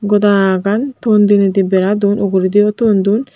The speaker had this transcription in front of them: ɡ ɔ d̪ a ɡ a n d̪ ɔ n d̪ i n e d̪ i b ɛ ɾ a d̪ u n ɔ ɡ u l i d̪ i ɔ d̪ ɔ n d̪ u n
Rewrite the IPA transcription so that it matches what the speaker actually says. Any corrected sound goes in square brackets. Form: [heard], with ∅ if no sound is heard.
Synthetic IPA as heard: ɡ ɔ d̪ a ɡ a n [t̪] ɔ n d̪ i n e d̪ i b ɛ ɾ a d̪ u n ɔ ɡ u [ɾ] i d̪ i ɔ [t̪] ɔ n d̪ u n